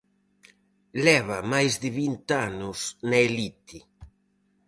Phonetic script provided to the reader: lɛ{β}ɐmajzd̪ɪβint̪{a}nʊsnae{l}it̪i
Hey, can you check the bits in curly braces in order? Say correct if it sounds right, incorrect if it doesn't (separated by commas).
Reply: correct, correct, correct